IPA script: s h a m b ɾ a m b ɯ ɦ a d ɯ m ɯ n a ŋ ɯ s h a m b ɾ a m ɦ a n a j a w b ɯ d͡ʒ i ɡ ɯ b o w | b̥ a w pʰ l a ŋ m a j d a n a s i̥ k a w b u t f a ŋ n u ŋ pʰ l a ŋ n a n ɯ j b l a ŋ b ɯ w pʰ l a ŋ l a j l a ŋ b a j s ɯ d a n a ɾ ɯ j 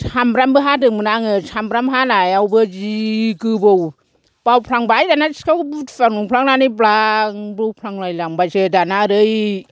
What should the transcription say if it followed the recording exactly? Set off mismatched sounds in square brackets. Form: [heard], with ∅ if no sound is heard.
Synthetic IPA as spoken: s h a m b ɾ a m b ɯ ɦ a d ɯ m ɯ n a ŋ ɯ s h a m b ɾ a m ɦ a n a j a w b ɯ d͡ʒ i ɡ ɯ b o w | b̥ a w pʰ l a ŋ [b] a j d a n a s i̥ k a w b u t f a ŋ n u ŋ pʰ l a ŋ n a n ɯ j b l a ŋ b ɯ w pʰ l a ŋ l a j l a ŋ b a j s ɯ d a n a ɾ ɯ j

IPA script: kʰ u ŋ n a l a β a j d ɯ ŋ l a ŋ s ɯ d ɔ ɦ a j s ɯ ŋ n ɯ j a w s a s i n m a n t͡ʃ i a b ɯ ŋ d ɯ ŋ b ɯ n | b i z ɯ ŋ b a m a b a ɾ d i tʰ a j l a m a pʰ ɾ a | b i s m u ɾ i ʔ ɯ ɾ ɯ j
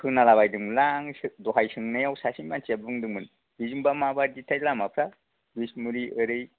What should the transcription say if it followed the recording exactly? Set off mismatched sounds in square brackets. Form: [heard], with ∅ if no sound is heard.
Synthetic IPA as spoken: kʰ [ɯ] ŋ n a l a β a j d ɯ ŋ l a ŋ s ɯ d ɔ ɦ a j s ɯ ŋ n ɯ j a w s a s i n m a n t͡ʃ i a b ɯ ŋ d ɯ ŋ [m] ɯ n | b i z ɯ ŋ b a m a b a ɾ d i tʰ a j l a m a pʰ ɾ a | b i s m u ɾ i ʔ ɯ ɾ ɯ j

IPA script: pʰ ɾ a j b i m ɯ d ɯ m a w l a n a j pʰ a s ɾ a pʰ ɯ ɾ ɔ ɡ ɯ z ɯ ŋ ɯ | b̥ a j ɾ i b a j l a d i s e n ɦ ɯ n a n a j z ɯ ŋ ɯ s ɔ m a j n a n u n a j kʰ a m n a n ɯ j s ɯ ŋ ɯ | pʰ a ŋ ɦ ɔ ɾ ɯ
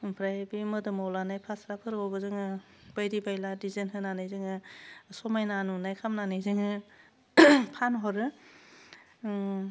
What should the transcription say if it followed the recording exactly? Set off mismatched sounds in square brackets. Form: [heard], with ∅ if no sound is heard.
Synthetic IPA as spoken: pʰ ɾ a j b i m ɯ d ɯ m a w l a n a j pʰ a s ɾ a pʰ ɯ ɾ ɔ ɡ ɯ z ɯ ŋ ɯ | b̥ a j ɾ i b a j l a d i [z] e n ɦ ɯ n a n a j z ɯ ŋ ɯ s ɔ m a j n a n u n a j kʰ a m n a n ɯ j [z] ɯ ŋ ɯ | pʰ a [n] ɦ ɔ ɾ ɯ

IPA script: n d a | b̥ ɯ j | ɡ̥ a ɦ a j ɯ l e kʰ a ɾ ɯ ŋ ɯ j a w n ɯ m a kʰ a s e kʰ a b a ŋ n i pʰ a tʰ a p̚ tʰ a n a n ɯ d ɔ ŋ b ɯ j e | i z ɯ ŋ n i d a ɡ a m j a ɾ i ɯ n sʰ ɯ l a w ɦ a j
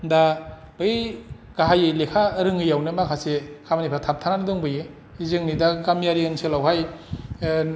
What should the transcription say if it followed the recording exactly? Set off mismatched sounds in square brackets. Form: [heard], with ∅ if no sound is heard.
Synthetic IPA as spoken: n d a | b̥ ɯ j | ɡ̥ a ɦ a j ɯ l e kʰ a ɾ ɯ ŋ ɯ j a w n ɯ m a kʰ a s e kʰ a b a [∅] n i pʰ a tʰ a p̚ tʰ a n a n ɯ d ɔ ŋ b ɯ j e | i z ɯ ŋ n i d a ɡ a m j a ɾ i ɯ n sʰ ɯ l a w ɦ a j

